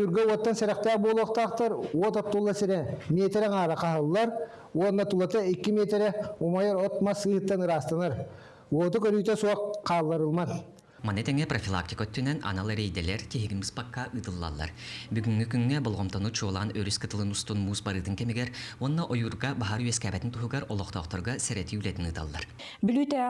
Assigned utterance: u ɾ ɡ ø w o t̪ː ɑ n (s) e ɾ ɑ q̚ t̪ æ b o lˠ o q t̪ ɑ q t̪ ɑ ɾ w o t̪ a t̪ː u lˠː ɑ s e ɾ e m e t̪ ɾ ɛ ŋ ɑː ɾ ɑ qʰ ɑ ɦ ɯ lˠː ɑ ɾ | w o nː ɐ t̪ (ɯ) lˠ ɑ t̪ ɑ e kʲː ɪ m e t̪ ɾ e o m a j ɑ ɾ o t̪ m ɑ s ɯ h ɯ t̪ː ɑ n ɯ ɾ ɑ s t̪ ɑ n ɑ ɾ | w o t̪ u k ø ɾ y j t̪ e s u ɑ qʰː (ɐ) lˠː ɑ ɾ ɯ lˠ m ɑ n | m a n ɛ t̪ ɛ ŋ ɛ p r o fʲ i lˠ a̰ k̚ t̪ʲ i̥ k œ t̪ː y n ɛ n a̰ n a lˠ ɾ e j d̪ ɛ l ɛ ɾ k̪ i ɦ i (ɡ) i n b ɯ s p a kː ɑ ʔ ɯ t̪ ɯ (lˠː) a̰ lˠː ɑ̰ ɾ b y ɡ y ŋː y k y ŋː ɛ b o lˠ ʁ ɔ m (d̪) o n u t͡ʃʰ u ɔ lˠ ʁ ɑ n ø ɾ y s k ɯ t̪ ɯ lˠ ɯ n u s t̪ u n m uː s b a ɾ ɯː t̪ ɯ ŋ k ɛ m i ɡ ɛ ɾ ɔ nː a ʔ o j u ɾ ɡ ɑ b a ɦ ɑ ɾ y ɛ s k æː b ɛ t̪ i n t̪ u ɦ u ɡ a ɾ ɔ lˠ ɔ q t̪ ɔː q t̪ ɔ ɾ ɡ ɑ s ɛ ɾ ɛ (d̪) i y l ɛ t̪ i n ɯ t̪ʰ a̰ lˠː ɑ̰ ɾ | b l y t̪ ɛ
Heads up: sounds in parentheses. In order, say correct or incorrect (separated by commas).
correct, incorrect, incorrect, correct, correct, incorrect, incorrect